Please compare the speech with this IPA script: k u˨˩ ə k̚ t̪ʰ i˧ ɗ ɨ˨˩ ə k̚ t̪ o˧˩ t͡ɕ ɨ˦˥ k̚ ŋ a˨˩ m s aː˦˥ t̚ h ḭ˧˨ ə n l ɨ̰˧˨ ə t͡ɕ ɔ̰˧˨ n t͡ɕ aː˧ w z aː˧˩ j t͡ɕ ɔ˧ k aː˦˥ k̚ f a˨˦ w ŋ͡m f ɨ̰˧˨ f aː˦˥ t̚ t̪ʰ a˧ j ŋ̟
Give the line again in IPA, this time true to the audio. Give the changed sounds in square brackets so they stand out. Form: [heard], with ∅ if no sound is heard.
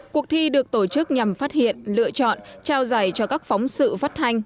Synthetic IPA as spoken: k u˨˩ ə k̚ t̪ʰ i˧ ɗ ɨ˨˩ ə k̚ t̪ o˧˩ t͡ɕ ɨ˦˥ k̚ [ɲ] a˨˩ m [f] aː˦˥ t̚ h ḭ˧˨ ə n l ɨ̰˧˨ ə t͡ɕ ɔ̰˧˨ n t͡ɕ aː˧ w z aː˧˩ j t͡ɕ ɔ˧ k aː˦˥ k̚ f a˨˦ w ŋ͡m [s] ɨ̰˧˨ f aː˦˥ t̚ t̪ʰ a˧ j ŋ̟